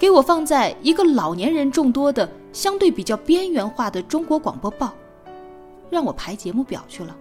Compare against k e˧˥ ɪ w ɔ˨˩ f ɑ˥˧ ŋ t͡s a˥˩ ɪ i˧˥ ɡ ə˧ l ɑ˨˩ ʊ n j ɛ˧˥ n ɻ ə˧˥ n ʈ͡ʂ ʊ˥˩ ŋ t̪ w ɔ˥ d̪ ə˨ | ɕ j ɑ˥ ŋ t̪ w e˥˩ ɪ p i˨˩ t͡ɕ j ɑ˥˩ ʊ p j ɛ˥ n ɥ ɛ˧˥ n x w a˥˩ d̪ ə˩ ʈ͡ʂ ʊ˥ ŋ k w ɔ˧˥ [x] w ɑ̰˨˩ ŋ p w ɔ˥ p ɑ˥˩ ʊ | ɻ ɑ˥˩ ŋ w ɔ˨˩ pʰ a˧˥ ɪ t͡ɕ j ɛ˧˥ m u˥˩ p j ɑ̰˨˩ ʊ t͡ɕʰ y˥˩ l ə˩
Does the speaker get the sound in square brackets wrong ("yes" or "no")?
yes